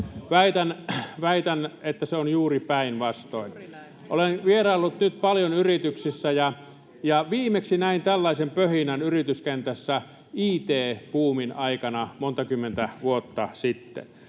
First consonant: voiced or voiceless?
voiced